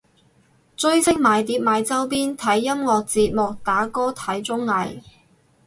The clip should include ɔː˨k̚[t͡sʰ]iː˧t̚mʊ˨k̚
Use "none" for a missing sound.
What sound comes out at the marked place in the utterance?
t͡s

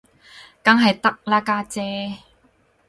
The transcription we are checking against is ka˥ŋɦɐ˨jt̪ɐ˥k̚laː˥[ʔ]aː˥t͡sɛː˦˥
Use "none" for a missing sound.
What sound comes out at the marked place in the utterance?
k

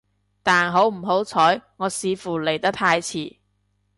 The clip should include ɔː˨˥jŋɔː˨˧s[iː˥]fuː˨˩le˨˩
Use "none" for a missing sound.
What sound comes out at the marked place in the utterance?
iː˨˧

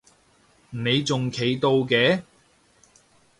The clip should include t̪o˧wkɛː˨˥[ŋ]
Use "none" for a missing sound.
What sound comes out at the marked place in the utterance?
none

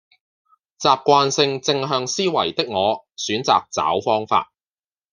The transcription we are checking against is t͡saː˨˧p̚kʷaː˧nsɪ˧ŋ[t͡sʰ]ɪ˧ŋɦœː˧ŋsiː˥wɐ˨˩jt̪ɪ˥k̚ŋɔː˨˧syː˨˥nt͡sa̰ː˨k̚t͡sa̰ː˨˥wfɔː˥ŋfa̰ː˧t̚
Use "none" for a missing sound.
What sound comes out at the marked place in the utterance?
t͡s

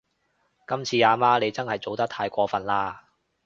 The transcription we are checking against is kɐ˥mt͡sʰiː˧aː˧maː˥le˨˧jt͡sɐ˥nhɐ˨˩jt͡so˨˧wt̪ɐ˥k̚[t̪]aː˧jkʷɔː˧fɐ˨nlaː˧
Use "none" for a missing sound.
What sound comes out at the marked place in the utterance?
t̪ʰ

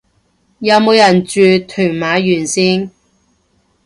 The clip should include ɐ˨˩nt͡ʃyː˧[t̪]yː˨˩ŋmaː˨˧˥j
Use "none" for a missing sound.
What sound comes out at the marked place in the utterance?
t̪ʰ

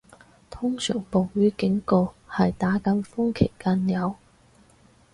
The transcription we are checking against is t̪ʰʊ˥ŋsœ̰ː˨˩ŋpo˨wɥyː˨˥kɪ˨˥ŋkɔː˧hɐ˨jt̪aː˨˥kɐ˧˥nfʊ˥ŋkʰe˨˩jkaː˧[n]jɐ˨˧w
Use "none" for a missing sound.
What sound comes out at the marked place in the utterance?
n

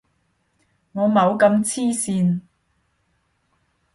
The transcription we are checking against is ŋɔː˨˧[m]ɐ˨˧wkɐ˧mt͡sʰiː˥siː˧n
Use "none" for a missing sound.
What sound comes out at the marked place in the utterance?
m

